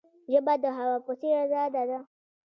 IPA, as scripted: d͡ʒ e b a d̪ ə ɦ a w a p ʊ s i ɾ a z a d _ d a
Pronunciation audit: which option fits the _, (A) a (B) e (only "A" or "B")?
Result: A